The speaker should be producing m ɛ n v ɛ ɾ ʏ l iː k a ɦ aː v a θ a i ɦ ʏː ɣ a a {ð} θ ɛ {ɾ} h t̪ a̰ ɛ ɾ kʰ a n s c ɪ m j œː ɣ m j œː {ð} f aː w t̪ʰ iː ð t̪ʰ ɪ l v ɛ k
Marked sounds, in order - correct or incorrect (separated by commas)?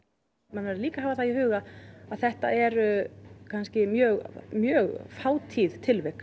correct, incorrect, incorrect